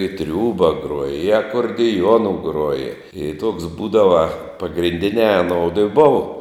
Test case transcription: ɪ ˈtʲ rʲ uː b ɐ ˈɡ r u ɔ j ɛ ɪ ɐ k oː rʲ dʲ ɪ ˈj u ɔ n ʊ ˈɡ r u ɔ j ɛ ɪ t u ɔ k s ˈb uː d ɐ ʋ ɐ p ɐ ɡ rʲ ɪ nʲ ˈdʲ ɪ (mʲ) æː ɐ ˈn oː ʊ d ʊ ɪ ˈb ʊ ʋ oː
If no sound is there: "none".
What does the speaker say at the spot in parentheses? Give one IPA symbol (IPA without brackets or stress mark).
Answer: nʲ